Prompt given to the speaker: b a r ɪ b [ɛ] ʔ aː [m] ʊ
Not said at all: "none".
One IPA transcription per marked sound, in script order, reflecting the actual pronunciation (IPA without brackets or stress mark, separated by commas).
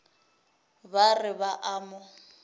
a, m